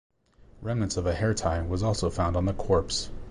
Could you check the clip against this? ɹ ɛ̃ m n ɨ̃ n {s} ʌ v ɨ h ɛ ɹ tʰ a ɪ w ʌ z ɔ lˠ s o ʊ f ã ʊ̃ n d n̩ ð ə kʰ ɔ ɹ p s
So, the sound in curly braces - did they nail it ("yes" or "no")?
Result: yes